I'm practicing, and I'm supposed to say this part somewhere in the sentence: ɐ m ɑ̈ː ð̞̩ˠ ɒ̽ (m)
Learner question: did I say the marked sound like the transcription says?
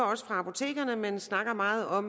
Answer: yes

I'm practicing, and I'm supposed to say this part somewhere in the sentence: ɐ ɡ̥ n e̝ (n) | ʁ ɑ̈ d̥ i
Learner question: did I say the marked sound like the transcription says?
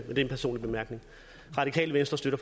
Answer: no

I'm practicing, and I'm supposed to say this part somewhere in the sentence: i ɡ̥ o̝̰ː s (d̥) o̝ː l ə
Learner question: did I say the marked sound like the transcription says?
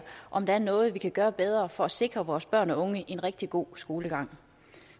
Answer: no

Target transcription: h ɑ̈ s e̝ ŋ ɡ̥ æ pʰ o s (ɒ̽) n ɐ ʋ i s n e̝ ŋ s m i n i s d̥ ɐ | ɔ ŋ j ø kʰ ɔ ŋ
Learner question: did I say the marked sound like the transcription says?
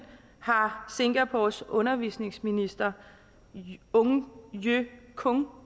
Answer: no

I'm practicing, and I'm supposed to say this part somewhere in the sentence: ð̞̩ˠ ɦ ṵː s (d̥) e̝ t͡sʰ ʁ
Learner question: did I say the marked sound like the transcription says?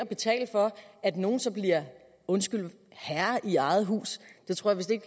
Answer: yes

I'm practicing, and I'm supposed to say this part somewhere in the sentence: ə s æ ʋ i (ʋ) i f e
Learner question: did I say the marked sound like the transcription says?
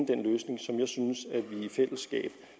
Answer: no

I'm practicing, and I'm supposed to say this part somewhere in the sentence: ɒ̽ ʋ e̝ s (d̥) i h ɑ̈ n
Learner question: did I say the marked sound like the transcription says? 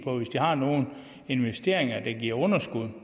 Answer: yes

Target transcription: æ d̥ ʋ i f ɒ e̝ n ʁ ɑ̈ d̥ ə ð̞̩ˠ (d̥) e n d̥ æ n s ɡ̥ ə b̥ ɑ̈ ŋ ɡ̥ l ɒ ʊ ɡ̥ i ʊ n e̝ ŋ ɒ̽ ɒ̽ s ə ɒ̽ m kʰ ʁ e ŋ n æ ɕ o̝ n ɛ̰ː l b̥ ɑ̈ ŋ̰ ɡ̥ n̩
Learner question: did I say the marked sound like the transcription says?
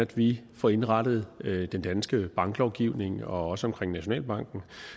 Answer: yes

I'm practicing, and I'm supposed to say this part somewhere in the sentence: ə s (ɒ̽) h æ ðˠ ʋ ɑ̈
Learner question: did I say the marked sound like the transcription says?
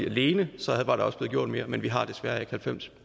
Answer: yes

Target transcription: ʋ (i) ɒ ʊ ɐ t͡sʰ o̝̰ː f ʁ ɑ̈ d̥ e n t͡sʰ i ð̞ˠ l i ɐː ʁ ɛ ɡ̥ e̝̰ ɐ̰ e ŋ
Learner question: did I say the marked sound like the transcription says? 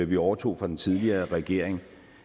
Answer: yes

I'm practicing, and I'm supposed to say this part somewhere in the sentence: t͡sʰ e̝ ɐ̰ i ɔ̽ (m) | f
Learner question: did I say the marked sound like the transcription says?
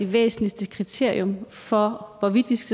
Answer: yes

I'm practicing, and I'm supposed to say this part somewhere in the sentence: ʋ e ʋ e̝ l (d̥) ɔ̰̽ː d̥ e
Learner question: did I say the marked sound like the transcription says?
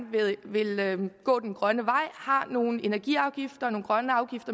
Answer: no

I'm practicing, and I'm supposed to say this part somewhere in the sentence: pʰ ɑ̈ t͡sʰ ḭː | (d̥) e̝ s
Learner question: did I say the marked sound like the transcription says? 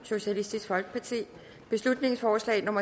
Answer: no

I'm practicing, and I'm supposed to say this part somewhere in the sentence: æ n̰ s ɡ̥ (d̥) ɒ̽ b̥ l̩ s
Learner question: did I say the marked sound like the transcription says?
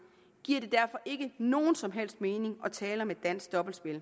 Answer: yes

